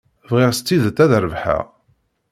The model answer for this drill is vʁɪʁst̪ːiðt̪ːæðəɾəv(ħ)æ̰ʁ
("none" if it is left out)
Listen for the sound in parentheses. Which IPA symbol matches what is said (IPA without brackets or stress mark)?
ħ